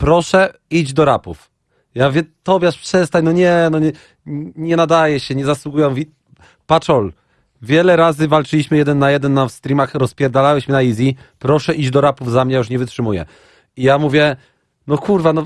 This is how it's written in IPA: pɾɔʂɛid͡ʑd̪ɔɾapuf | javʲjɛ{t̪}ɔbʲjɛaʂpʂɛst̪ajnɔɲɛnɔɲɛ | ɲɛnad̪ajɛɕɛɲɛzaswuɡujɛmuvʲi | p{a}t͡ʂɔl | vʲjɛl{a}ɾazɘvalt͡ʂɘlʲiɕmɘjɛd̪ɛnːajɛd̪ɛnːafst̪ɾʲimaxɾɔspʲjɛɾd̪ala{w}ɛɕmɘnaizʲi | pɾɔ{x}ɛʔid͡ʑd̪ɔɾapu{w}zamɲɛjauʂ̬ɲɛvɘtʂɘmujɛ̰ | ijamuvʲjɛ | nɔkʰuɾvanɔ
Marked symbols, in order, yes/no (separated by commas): yes, yes, no, yes, no, no